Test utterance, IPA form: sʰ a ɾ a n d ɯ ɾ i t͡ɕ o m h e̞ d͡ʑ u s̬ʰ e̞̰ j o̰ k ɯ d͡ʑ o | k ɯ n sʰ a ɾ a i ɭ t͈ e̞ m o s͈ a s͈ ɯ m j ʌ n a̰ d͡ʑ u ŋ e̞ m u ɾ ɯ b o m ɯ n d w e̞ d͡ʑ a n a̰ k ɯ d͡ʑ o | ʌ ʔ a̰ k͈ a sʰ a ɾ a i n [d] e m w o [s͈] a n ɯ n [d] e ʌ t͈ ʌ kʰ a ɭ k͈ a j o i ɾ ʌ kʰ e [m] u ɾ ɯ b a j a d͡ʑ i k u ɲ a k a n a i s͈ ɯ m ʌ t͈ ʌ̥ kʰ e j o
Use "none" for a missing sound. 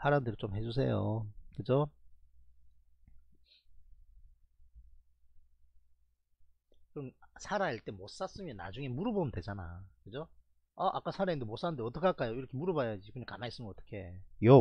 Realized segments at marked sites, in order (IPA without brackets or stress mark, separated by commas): d, s͈, d, m